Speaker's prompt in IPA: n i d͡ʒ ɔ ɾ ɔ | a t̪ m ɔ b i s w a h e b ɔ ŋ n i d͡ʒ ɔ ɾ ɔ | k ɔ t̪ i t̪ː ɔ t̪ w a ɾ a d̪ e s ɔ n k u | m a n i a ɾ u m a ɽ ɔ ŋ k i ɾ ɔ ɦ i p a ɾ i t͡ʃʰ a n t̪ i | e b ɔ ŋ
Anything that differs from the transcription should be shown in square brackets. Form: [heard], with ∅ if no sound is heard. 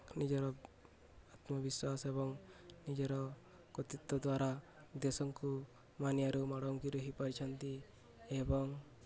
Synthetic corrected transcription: n i d͡ʒ ɔ ɾ ɔ | a t̪ m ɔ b i s w a [s] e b ɔ ŋ n i d͡ʒ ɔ ɾ ɔ | k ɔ t̪ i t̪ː ɔ [d̪] w a ɾ a d̪ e s ɔ [ŋ] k u | m a n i a ɾ u m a ɽ ɔ ŋ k i ɾ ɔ ɦ i p a ɾ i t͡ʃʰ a n t̪ i | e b ɔ ŋ